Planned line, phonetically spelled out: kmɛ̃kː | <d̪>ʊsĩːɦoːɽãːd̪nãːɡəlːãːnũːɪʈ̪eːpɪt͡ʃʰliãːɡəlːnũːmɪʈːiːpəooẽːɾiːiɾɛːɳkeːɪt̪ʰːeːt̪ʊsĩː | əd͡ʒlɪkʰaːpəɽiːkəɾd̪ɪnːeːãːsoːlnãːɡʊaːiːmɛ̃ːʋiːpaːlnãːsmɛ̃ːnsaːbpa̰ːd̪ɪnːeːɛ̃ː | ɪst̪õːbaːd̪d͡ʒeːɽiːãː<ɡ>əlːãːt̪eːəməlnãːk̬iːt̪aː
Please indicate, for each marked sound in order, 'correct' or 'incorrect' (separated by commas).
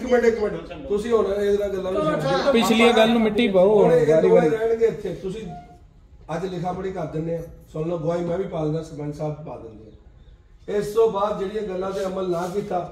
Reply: incorrect, correct